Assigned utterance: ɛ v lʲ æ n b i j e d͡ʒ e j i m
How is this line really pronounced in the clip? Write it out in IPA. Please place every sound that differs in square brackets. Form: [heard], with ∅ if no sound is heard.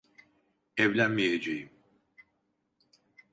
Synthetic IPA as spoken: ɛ v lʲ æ n [m] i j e d͡ʒ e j i m